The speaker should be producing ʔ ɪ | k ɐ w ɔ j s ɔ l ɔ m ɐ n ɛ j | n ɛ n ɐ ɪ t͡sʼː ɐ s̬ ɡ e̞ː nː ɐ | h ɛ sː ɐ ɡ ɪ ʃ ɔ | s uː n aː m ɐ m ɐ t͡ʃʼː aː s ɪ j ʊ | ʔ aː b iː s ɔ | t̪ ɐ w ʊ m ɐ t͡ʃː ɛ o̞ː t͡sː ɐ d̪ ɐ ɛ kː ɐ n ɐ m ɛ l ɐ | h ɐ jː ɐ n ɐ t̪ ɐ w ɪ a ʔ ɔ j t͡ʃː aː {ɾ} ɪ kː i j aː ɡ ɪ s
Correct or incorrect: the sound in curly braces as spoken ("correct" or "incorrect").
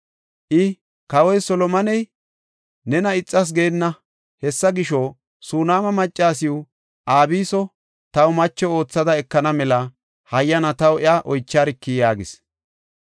correct